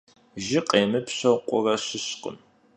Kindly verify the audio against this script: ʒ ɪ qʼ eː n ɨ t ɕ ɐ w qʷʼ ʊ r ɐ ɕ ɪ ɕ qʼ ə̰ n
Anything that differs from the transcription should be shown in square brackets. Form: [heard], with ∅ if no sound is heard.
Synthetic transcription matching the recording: ʒ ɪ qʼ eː [m] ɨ [p] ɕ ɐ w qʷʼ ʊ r ɐ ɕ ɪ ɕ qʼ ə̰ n